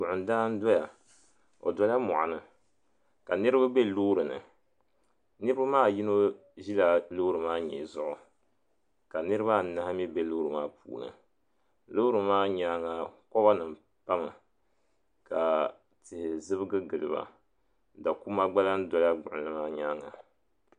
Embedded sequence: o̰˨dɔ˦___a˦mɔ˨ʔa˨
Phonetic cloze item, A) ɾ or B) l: B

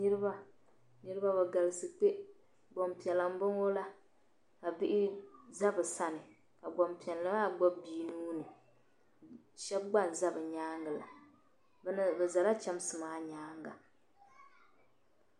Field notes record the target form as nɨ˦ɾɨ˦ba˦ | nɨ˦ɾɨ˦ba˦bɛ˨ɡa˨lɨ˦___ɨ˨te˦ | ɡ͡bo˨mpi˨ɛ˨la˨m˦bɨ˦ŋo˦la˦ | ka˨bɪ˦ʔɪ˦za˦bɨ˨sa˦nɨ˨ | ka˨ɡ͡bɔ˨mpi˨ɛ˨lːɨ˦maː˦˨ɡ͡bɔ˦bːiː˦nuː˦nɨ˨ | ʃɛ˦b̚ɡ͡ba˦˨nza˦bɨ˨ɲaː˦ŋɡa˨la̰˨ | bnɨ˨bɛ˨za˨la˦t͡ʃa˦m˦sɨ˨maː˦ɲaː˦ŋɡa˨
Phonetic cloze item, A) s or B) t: A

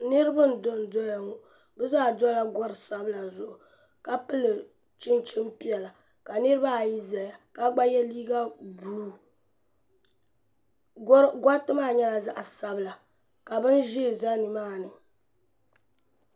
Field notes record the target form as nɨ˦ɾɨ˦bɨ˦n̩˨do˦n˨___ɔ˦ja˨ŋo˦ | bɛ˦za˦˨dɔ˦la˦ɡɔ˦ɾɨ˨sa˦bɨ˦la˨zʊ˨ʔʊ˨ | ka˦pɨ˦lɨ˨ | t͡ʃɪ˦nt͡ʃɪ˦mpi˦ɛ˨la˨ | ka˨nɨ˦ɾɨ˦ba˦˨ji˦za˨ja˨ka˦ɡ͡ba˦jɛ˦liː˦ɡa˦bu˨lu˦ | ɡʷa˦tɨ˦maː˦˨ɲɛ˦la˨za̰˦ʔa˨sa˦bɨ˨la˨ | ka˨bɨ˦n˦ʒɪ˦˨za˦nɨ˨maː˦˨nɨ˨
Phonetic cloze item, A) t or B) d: B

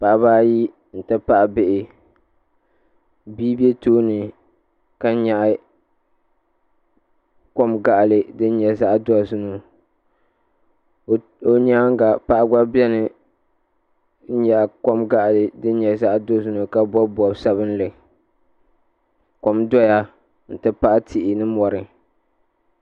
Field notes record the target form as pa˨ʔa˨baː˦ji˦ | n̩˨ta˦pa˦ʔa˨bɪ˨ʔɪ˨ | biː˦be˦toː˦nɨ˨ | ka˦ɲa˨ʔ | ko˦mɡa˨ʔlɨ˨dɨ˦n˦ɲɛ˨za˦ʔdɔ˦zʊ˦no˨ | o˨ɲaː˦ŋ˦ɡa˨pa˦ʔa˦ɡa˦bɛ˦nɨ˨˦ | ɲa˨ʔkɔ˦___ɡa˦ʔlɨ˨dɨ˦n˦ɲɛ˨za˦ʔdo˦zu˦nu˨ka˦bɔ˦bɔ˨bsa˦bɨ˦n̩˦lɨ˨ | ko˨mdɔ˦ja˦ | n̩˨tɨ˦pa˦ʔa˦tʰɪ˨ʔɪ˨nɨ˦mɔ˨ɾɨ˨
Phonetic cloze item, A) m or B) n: A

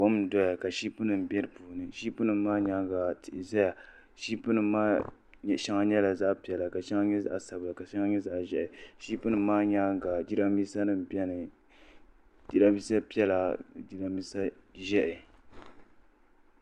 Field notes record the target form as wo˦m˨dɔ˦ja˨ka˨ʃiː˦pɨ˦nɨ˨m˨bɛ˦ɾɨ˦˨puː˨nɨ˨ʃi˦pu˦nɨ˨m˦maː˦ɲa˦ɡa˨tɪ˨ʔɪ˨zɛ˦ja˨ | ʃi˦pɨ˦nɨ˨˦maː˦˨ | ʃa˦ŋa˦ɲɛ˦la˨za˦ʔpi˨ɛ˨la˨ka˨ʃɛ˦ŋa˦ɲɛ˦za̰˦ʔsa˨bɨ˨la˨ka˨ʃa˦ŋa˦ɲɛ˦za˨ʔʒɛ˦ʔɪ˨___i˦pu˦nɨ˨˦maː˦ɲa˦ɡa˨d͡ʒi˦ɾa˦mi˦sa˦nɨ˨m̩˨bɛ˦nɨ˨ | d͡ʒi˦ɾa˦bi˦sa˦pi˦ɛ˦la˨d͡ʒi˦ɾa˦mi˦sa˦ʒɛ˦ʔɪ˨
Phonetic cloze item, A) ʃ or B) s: A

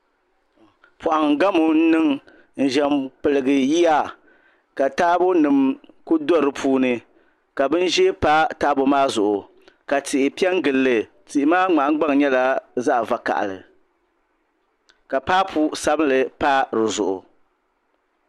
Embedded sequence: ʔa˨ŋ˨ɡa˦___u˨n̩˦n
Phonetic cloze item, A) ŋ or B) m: B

